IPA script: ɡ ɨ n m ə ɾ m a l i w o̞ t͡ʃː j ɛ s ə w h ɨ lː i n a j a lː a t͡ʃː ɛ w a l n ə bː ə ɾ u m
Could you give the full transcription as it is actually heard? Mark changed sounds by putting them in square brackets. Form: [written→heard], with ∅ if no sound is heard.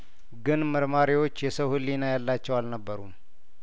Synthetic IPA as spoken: ɡ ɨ n m ə ɾ m a [l→ɾ] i w o̞ t͡ʃː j ɛ s ə w h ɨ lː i n a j a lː a t͡ʃː ɛ w a l n ə bː ə ɾ u m